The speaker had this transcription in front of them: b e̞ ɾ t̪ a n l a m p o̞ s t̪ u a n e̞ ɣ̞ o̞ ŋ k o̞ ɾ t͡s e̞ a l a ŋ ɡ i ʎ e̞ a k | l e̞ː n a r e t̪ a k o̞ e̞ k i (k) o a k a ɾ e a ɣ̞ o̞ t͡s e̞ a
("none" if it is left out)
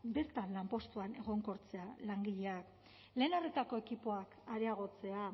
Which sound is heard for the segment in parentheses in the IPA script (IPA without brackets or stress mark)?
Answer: p